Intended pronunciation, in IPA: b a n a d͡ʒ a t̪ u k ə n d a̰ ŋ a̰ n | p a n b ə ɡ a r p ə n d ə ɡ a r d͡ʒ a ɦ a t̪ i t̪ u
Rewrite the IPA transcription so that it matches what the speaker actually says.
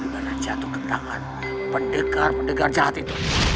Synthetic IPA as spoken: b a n a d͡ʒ a t̪ u k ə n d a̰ ŋ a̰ n | p ə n d ə ɡ a r p ə n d ə ɡ a r d͡ʒ a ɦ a t̪ i t̪ u